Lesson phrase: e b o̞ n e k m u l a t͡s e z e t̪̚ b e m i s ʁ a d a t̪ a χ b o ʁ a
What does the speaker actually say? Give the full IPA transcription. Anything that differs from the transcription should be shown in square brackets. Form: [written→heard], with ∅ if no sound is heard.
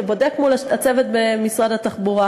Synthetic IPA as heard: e b o̞ [n→d] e k m u l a t͡s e [z→v] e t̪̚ b e m i s ʁ a d a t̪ a χ b [o→u] ʁ a